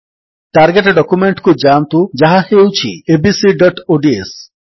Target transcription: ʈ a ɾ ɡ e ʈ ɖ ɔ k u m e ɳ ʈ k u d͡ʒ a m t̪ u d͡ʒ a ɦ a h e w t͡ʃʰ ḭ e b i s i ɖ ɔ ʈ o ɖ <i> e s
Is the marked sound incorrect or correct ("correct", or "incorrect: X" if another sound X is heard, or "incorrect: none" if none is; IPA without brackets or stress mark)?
correct